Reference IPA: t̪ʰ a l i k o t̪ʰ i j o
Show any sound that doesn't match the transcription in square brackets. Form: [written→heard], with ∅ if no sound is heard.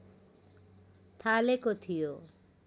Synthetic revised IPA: t̪ʰ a l [i→e] k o t̪ʰ i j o